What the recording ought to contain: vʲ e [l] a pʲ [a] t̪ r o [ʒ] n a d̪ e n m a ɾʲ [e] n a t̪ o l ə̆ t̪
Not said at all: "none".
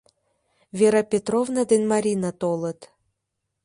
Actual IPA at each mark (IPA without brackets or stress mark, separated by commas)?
ɾ, e, v, i